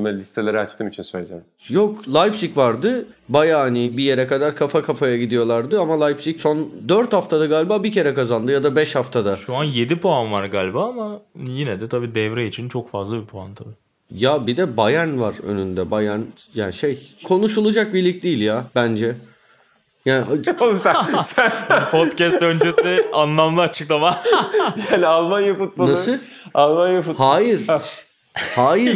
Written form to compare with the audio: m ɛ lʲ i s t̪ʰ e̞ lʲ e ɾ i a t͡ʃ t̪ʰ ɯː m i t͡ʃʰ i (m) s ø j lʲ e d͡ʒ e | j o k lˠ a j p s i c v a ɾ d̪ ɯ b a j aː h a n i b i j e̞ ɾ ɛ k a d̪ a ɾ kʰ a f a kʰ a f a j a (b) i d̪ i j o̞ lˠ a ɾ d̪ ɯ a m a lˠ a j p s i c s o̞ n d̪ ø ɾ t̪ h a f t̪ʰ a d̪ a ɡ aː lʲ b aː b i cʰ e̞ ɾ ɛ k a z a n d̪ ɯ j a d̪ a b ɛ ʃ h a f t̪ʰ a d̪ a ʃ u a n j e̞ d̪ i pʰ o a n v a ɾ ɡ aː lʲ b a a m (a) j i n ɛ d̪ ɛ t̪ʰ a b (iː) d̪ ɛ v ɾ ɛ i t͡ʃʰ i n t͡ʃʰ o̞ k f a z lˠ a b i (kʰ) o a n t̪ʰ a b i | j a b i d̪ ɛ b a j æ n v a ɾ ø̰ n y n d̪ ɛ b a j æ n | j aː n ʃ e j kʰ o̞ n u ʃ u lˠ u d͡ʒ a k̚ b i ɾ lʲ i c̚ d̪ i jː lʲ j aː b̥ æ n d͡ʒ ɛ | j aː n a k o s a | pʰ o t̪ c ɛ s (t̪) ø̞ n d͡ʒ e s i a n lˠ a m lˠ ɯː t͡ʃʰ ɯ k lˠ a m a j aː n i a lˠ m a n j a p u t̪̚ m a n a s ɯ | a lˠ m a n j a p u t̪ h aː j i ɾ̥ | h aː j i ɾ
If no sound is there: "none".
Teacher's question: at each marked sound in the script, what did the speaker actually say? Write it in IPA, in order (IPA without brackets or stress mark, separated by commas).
n, ɟ, a, iː, pʰ, t̪